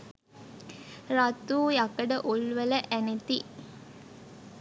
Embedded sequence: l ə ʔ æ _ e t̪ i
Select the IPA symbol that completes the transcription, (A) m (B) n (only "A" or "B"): B